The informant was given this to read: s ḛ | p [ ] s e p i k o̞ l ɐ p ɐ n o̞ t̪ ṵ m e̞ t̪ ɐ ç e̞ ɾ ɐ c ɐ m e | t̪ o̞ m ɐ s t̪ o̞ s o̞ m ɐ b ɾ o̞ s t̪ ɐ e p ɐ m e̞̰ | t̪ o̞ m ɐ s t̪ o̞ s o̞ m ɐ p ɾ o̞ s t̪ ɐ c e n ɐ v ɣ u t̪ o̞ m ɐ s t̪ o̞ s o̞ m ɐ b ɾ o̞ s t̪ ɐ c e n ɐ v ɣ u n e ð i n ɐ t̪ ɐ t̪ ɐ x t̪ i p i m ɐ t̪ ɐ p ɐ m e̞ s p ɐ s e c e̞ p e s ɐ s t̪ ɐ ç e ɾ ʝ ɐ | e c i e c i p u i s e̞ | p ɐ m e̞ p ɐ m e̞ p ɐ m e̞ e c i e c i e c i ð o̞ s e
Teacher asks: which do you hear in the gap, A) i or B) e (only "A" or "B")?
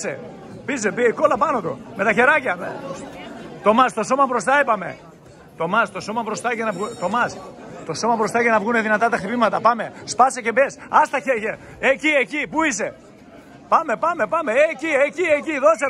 A